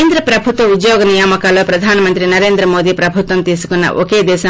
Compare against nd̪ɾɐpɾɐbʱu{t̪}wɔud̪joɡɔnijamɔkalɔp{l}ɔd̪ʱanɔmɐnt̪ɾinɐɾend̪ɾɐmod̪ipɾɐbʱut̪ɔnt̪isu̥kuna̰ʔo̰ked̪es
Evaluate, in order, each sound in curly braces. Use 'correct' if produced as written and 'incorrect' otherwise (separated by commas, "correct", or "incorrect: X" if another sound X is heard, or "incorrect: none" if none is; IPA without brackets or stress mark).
correct, incorrect: ɾ